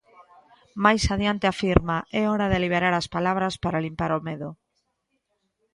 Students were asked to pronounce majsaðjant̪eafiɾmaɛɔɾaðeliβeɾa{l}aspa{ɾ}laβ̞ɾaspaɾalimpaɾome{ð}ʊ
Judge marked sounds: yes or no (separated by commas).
no, no, yes